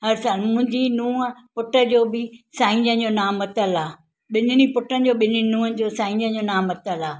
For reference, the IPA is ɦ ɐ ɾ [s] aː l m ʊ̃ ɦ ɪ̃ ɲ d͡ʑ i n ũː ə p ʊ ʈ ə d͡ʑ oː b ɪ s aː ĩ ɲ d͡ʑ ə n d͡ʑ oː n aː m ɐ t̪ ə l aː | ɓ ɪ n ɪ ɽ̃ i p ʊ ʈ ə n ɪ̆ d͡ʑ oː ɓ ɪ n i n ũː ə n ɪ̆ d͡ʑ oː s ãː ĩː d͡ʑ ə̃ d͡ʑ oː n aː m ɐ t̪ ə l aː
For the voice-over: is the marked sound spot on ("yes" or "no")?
yes